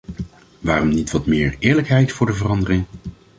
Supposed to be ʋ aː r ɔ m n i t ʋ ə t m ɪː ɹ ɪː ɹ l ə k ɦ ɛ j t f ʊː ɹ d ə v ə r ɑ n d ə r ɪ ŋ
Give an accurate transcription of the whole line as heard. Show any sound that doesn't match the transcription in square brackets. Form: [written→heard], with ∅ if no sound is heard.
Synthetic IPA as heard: ʋ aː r ɔ m n i t ʋ [ə→ɑ] t m ɪː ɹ ɪː ɹ l ə k ɦ ɛ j t f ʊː ɹ d ə v ə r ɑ n d ə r ɪ ŋ